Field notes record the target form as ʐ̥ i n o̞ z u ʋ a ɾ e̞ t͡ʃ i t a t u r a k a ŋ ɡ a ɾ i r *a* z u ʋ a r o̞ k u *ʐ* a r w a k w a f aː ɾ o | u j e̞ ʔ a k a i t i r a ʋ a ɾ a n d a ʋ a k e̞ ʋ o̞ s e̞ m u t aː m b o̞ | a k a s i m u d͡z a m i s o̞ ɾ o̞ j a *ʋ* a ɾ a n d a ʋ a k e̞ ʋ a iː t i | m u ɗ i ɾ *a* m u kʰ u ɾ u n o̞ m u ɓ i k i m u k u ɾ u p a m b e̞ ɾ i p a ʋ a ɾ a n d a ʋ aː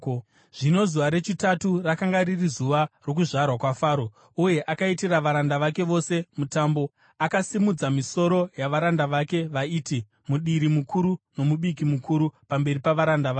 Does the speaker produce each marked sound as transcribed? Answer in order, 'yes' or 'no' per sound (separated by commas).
no, yes, yes, no